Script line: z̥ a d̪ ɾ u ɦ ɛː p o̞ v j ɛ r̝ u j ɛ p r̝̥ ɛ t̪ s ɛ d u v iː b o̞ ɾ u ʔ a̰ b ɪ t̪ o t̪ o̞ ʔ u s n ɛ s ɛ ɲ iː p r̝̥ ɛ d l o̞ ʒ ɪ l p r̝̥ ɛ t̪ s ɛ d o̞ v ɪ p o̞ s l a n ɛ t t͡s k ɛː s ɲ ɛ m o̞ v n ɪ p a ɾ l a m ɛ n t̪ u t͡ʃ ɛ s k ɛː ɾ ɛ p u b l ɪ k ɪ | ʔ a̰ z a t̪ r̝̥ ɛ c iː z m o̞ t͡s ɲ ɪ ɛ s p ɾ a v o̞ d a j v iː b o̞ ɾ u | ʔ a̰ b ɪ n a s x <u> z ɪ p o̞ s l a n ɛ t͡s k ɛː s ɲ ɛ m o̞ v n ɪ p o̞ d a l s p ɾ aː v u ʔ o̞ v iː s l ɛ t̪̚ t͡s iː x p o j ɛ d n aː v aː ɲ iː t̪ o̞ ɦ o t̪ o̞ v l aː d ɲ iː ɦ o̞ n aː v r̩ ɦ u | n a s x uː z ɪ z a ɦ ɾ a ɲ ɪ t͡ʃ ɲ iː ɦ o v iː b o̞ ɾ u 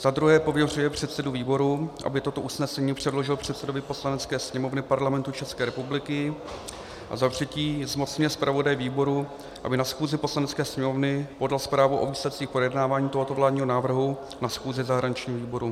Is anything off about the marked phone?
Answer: yes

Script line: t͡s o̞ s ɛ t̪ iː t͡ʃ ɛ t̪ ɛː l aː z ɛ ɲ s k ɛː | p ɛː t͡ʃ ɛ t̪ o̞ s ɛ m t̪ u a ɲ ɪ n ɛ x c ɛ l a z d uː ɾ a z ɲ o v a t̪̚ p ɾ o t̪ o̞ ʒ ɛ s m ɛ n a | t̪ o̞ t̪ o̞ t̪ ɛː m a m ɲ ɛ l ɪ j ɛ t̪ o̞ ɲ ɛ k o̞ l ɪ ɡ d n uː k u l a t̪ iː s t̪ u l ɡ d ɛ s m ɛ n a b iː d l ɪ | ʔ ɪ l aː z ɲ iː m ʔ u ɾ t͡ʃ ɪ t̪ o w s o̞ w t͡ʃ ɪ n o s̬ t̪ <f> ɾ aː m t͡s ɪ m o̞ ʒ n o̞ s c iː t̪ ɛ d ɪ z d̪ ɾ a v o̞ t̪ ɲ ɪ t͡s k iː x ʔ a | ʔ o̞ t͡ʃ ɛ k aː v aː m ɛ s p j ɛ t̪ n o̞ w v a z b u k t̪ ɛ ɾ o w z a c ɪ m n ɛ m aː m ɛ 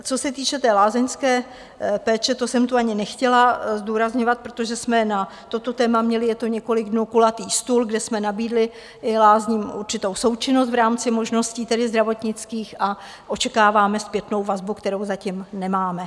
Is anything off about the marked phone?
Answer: yes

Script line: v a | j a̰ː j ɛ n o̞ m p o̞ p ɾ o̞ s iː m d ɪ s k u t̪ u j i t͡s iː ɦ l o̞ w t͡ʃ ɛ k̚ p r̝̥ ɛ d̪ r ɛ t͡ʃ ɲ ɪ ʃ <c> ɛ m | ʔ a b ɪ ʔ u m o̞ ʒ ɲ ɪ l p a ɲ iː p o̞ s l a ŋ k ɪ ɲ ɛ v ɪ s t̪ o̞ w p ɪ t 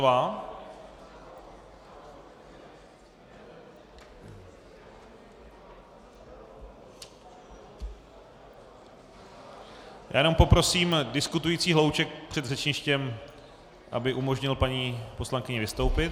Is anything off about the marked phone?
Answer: no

